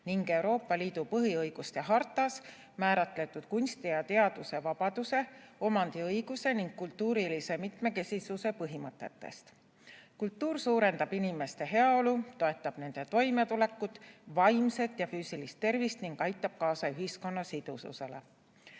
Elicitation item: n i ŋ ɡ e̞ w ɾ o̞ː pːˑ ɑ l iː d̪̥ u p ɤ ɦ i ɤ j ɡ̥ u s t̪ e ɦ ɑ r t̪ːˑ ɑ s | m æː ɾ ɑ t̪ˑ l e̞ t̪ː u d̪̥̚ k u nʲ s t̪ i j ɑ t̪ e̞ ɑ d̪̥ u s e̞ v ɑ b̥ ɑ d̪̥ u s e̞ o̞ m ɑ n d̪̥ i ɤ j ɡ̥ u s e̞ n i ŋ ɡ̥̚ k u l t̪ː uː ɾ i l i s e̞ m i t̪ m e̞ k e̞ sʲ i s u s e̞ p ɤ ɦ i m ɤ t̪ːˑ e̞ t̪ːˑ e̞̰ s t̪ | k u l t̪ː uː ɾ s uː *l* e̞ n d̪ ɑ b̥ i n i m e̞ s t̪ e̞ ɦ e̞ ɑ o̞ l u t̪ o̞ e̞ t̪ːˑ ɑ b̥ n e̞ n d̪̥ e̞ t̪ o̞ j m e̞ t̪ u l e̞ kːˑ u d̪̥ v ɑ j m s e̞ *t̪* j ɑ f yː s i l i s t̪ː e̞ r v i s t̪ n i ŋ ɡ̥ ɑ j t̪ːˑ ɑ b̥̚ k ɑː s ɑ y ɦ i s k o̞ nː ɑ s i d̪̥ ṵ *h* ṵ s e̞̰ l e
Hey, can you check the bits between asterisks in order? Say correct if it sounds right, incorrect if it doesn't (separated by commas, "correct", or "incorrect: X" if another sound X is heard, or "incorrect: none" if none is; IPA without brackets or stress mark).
incorrect: ɾ, correct, incorrect: s